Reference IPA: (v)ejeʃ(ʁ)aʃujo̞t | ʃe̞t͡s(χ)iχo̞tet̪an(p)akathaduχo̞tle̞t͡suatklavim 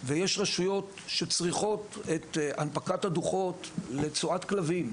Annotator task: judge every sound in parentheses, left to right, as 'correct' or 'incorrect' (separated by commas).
correct, correct, incorrect, correct